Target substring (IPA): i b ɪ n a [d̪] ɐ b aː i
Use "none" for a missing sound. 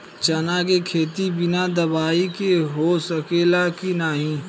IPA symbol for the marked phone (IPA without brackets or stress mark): d̪